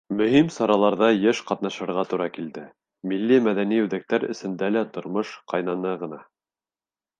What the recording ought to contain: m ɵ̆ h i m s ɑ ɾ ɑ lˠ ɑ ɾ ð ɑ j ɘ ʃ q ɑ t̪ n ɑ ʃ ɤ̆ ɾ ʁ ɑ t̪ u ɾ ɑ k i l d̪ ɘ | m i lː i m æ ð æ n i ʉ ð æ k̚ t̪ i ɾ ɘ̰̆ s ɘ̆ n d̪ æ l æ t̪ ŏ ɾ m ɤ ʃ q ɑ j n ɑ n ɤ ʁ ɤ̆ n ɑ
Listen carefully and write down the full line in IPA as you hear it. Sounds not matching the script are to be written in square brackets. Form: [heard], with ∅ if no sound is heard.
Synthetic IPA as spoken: m ɵ̆ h i m s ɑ ɾ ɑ lˠ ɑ ɾ ð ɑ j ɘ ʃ q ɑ t̪ n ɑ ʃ ɤ̆ ɾ ʁ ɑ t̪ u ɾ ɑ k i l d̪ ɘ | m i lː i m æ ð æ n i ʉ ð æ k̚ t̪ [æ] ɾ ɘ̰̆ s ɘ̆ n d̪ æ l æ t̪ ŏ ɾ m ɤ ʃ q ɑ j n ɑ n ɤ ʁ ɤ̆ n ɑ